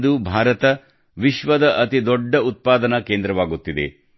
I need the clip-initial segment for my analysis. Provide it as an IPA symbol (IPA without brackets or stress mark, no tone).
d̪